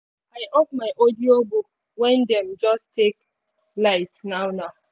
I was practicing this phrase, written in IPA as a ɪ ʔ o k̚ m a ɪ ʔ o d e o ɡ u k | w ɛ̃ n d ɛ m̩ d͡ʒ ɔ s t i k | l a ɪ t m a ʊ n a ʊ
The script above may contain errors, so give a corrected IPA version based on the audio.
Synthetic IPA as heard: a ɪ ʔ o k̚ m a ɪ ʔ o d i o b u k | w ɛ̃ n d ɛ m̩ d͡ʒ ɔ s t e k | l a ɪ t n a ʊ n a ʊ